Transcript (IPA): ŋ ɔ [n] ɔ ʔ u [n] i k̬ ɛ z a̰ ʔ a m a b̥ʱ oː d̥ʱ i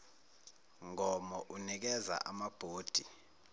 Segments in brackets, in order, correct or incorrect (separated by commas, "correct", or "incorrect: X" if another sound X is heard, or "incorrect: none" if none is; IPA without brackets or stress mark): incorrect: m, correct